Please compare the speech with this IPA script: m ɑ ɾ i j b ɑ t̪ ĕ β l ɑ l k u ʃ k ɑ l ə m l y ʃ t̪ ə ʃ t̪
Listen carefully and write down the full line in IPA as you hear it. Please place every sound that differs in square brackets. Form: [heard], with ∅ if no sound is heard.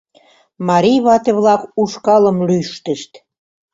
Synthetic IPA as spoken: m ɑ ɾ i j [β] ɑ t̪ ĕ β l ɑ [∅] k u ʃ k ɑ l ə m l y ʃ t̪ ə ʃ t̪

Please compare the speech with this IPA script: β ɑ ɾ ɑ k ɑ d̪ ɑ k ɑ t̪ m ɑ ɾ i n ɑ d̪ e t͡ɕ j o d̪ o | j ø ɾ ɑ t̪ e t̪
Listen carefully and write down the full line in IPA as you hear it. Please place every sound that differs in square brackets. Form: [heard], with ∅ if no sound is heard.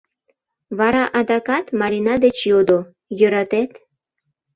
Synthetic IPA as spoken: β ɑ ɾ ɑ [ʔ] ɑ d̪ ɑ k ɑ t̪ m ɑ ɾ i n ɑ d̪ e t͡ɕ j o d̪ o | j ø ɾ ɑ t̪ e t̪

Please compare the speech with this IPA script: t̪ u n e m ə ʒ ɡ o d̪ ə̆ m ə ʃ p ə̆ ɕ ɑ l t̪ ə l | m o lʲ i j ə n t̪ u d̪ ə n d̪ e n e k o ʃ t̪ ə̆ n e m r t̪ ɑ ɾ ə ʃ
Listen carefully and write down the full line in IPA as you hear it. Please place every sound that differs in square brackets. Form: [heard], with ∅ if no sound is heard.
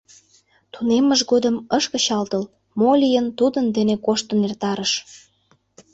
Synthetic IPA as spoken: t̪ u n e m ə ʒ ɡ o d̪ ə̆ m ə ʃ [k] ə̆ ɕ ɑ l t̪ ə l | m o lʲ i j ə n t̪ u d̪ ə n d̪ e n e k o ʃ t̪ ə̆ n e [∅] r t̪ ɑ ɾ ə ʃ

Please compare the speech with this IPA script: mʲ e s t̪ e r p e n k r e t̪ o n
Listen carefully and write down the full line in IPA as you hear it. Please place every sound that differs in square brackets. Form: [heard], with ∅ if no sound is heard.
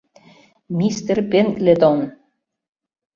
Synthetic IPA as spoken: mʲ [i] s t̪ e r p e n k [l] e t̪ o n

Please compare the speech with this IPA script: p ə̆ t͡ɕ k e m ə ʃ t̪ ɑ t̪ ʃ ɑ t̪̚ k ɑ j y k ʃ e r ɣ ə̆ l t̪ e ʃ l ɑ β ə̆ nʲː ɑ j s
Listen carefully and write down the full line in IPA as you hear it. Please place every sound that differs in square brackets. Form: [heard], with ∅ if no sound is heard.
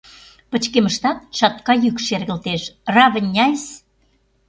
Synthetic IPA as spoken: p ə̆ t͡ɕ k e m ə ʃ t̪ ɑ t̪ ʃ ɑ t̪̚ k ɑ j y k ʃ e r ɣ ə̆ l t̪ e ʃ [r] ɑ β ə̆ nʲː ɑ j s

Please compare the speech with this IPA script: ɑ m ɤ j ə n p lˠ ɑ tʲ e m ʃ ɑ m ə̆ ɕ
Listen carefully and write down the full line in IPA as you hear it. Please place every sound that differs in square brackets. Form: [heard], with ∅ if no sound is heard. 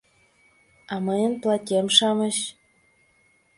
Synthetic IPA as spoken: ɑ m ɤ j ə n p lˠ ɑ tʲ e m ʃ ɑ m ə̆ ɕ

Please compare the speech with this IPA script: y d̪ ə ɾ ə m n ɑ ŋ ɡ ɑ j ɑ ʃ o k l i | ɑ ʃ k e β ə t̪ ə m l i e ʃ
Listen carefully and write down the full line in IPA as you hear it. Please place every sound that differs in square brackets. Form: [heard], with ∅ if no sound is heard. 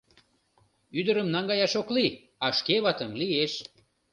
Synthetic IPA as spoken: y d̪ ə ɾ ə m n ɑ ŋ ɡ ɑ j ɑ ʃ o k l i | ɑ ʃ k e β [ɑ] t̪ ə m l i e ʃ

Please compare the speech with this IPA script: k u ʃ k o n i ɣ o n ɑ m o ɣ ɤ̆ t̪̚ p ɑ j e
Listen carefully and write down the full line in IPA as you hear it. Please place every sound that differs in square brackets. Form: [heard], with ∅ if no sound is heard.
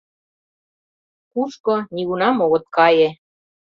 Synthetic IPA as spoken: k u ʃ k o n i ɣ [u] n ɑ m o ɣ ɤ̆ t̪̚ [k] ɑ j e

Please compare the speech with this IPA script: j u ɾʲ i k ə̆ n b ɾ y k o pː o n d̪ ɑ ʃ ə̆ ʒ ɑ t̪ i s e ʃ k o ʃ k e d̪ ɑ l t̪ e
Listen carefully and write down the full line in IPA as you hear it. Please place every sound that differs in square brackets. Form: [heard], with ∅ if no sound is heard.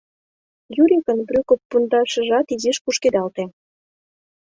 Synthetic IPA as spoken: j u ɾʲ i k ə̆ n b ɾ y k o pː [u] n d̪ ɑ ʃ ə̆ ʒ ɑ t̪ i [z] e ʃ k [u] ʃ k e d̪ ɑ l t̪ e

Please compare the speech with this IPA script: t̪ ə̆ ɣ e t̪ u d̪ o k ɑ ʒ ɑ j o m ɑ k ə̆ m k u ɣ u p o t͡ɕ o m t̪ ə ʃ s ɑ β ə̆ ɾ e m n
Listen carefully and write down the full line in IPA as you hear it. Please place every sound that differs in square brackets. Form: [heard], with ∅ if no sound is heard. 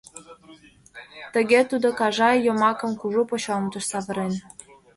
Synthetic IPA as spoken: t̪ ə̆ ɣ e t̪ u d̪ o k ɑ ʒ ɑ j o m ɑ k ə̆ m k u [ʒ] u p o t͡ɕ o m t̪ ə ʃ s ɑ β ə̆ ɾ e [∅] n

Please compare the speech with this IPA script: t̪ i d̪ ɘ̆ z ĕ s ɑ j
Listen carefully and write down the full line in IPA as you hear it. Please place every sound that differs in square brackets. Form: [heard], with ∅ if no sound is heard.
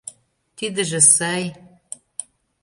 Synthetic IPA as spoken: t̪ i d̪ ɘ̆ [ʒ] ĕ s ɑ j

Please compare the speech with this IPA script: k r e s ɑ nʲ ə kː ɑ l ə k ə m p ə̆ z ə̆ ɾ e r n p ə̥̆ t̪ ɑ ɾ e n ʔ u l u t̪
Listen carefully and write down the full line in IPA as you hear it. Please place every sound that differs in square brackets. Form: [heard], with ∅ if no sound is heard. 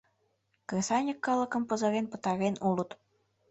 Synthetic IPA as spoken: k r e s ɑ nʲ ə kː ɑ l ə k ə m p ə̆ z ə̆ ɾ e [∅] n p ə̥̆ t̪ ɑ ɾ e n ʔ u l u t̪

